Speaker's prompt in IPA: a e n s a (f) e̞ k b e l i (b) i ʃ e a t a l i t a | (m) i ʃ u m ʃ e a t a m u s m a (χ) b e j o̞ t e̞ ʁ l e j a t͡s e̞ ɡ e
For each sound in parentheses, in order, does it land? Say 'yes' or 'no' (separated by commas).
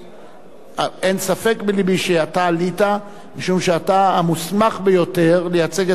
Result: yes, yes, yes, yes